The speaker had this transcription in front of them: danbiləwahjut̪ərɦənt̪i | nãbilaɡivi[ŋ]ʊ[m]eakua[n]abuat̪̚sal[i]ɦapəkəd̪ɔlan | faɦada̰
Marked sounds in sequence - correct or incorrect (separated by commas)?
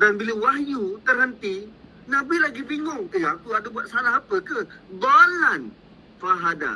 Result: correct, incorrect, incorrect, incorrect